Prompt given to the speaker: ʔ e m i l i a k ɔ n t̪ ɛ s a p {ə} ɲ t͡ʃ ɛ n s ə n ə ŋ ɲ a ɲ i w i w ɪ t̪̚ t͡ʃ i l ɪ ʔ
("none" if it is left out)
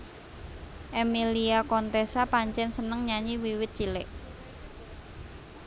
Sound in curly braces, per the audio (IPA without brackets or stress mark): a